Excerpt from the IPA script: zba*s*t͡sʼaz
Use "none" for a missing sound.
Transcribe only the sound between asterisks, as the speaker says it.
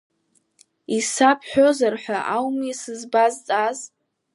z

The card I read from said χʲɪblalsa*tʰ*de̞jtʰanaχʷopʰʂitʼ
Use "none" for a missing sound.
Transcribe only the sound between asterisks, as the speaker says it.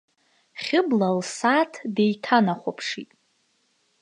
tʰ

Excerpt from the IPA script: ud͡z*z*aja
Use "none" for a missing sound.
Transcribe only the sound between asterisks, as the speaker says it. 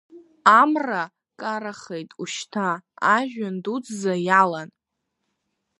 z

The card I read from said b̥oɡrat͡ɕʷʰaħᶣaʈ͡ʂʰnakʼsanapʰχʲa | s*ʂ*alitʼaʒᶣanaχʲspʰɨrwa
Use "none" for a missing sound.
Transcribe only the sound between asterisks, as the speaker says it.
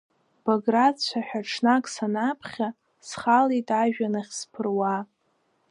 χ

